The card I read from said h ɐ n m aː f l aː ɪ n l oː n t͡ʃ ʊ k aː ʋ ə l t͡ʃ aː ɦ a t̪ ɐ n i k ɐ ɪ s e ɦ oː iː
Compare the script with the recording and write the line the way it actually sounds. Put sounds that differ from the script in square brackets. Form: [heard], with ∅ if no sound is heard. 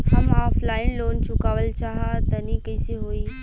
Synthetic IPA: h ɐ [∅] m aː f l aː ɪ n l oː n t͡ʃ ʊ k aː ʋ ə l t͡ʃ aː ɦ a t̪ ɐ n i k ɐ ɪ s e ɦ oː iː